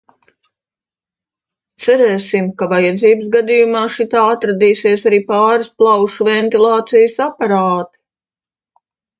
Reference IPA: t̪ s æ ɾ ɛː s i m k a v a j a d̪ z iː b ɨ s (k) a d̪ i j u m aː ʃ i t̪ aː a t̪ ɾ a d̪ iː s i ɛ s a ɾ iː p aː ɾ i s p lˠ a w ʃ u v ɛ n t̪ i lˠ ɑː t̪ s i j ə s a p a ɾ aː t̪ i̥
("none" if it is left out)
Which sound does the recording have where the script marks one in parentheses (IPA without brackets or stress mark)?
ɡ